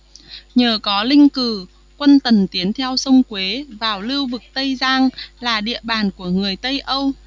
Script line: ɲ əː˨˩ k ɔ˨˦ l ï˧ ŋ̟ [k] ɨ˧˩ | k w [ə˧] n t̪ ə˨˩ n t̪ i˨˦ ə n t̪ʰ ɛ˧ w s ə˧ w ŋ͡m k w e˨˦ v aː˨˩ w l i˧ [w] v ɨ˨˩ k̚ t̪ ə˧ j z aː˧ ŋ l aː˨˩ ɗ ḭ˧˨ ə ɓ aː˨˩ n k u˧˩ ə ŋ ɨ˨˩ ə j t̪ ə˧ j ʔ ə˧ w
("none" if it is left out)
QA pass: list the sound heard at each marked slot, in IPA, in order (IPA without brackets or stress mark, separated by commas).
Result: k, ə˧, w